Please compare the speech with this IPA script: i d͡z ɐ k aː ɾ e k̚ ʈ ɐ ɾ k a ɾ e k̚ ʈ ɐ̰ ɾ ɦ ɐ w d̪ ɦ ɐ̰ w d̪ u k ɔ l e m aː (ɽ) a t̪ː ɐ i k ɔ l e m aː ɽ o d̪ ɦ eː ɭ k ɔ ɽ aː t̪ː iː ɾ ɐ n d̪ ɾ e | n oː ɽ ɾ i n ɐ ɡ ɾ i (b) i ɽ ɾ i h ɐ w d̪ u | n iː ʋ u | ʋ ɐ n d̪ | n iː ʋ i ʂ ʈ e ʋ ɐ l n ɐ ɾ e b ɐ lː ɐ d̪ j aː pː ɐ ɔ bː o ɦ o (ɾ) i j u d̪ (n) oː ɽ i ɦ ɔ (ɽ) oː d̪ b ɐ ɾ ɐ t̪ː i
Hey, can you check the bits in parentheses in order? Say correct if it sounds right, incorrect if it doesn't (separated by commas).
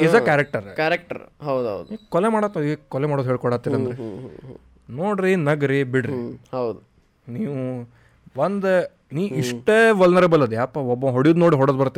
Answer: correct, correct, incorrect, correct, correct